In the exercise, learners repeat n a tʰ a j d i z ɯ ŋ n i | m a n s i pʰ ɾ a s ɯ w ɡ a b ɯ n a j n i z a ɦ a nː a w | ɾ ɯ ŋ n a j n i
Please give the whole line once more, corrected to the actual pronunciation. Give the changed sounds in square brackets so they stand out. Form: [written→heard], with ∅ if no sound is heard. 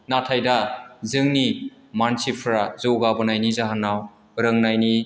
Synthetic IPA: n a tʰ a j d [i→a] z ɯ ŋ n i | m a n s i pʰ ɾ a [s→z] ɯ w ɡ a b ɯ n a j n i z a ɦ a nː a w | ɾ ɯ ŋ n a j n i

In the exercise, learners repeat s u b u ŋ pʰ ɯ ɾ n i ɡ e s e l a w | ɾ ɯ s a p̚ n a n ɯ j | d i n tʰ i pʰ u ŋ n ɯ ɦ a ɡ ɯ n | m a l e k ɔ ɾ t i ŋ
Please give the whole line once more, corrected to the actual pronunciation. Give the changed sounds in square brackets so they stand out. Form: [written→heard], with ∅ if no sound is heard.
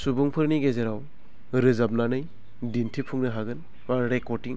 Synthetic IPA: s u b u ŋ pʰ ɯ ɾ n i ɡ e [s→z] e [l→ɾ] a w | ɾ ɯ [s→z] a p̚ n a n ɯ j | d i n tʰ i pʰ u ŋ n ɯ ɦ a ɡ ɯ n | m a [l→ɾ] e k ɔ ɾ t i ŋ

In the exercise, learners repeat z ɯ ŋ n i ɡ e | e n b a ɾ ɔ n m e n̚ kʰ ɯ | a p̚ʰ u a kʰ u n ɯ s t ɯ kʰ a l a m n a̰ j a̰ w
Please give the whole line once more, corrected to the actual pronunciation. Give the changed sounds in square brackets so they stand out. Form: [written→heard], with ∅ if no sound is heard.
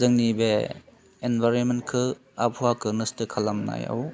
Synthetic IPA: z ɯ ŋ n i [ɡ→b] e | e n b a ɾ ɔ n m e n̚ kʰ ɯ | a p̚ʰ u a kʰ [u→ɯ] n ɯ s t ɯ kʰ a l a m n a̰ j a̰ w

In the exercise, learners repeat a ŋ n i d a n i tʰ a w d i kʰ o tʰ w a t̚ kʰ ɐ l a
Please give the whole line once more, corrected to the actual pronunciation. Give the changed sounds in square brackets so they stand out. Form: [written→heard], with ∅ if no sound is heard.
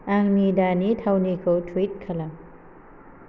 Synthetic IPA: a ŋ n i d a n i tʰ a w [d→n] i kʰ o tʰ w [a→i] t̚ kʰ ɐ l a

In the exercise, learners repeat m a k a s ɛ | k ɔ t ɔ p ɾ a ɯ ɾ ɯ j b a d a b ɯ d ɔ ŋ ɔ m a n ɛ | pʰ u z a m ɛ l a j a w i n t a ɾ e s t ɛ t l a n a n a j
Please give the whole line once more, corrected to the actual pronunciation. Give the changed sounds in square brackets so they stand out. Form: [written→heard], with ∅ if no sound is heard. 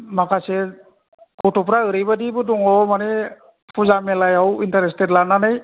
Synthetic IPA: m a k a s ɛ | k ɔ t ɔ p ɾ a ɯ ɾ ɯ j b a d [a→i] b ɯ d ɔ ŋ ɔ m a n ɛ | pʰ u z a m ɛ l a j a w i n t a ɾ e s t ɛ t l a n a n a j

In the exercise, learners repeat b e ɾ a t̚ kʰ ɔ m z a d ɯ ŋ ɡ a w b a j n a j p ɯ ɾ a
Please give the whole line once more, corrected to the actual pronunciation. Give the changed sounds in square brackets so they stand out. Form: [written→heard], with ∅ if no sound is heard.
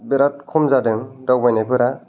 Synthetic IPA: b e ɾ a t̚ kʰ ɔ m z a d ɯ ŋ [ɡ→d] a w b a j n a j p ɯ ɾ a

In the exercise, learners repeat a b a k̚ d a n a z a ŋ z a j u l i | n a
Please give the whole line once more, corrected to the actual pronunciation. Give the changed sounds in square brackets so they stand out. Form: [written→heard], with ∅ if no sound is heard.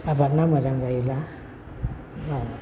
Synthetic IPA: a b a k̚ [d→n] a [n→m] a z a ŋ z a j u l [i→a] | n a

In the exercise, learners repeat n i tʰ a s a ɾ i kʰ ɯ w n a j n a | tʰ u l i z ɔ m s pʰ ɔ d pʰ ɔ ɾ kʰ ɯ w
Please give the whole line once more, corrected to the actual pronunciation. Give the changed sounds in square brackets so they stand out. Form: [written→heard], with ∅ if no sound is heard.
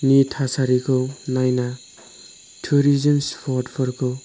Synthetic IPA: n i tʰ a s a ɾ i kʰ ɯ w n a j n a | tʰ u [l→ɾ] i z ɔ [m→n] s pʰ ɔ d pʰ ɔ ɾ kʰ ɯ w

